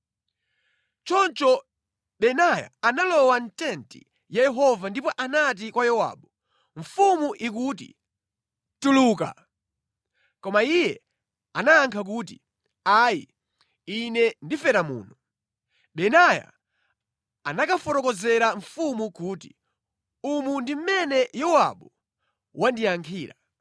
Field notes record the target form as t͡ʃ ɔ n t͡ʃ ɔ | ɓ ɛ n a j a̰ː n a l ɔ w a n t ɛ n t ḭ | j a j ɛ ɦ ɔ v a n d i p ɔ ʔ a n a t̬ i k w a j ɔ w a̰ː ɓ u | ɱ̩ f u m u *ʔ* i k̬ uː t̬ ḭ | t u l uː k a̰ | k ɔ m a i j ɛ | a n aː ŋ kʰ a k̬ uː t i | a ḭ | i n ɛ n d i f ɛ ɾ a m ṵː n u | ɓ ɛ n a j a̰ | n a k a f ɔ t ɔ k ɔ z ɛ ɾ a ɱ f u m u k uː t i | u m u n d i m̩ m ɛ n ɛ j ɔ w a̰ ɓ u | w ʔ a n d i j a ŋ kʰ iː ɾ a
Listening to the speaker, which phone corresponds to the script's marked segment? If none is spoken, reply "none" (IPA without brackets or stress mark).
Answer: ʔ